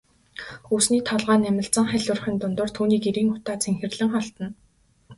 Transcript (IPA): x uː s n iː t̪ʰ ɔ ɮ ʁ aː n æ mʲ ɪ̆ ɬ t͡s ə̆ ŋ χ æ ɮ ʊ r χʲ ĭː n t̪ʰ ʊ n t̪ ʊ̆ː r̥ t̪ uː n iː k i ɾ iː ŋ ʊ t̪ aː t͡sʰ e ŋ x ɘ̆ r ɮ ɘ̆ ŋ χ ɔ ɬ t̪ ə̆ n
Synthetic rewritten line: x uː s n iː t̪ʰ ɔ ɮ ʁ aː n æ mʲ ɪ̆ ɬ t͡s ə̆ ŋ χ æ ɮ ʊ r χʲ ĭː n t̪ ʊ n t̪ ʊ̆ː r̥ t̪ʰ uː n iː k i ɾ iː ŋ ʊ t̪ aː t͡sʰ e ŋ x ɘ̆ r ɮ ɘ̆ ŋ χ ɔ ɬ t̪ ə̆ n